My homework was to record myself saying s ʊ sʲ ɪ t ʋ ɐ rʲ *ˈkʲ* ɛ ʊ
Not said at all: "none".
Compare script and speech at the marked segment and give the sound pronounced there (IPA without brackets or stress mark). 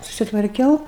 kʲ